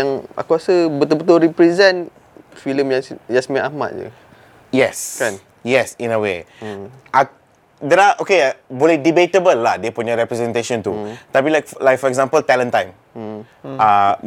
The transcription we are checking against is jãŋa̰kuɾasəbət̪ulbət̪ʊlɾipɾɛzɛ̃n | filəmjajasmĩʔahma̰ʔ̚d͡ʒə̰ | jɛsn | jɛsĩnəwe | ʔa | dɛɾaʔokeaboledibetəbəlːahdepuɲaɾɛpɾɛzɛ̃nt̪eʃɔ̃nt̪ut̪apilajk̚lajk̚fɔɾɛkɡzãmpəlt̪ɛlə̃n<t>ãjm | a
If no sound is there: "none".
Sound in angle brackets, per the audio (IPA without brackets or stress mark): t